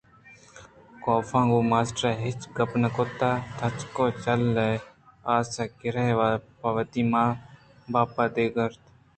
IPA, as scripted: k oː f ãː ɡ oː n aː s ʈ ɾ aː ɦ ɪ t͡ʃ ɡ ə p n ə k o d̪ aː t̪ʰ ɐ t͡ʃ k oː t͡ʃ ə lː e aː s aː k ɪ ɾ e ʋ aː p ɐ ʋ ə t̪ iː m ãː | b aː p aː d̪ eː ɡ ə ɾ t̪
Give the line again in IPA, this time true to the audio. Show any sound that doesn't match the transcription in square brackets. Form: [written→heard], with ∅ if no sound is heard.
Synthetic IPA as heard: k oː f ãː ɡ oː [n→m] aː s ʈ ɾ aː ɦ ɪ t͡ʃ ɡ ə p n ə k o [d̪→t̪] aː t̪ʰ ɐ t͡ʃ k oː t͡ʃ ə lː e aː s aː k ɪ ɾ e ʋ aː p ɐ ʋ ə t̪ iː m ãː | b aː p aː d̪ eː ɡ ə ɾ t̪